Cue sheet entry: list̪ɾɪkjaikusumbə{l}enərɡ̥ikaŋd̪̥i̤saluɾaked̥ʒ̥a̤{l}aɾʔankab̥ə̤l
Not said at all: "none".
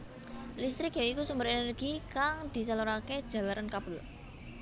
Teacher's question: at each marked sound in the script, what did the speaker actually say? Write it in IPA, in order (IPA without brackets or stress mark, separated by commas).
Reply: ɾ, l